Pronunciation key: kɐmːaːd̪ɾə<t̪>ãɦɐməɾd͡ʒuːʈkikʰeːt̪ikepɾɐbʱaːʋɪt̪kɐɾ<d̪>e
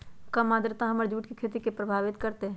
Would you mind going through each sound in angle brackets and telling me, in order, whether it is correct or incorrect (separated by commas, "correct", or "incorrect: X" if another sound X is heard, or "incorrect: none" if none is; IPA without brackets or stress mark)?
correct, incorrect: t̪